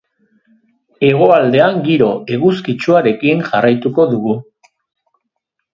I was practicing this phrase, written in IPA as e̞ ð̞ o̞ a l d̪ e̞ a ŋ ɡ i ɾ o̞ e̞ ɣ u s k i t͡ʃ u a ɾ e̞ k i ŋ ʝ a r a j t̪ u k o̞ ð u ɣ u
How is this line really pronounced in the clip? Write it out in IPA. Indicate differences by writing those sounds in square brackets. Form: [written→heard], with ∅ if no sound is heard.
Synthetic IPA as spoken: e̞ [ð̞→ɣ̞] o̞ a l d̪ e̞ a ŋ ɡ i ɾ o̞ e̞ ɣ u s k i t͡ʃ u a ɾ e̞ k i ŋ ʝ a r a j t̪ u k o̞ ð u ɣ u